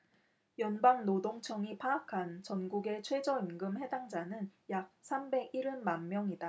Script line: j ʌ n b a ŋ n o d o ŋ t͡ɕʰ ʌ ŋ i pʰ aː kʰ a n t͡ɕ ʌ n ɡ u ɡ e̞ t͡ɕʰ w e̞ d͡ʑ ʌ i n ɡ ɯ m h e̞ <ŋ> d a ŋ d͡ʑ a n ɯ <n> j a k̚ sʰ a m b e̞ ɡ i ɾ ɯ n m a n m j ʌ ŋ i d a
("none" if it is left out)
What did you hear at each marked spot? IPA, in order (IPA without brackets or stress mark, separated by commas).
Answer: none, n